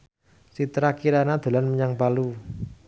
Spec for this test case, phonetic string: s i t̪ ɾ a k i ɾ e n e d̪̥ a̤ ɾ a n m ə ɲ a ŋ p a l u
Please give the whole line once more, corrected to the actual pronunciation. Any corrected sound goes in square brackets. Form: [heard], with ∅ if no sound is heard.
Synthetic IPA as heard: s i t̪ ɾ a k i ɾ [a] n [a] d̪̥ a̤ [l] a n m ə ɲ a ŋ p a l u